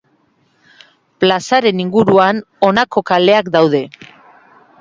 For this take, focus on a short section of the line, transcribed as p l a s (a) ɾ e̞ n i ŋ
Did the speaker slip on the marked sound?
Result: no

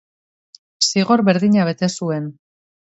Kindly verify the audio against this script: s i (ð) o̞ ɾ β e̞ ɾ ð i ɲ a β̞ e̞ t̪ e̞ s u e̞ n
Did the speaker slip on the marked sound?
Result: yes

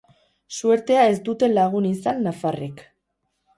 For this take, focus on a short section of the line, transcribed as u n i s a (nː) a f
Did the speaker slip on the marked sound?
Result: no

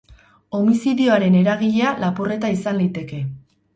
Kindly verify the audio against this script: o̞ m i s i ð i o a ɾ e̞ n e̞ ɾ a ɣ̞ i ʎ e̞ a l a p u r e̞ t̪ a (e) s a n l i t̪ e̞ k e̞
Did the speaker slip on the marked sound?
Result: yes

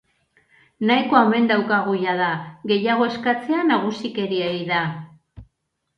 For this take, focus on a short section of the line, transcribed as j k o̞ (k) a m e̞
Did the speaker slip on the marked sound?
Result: yes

